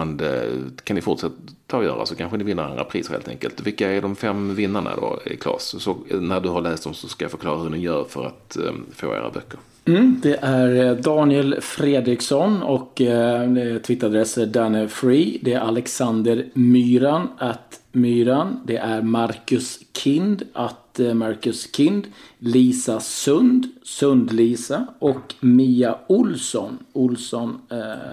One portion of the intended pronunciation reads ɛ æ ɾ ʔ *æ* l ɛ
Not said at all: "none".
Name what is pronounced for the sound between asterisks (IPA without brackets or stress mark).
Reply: a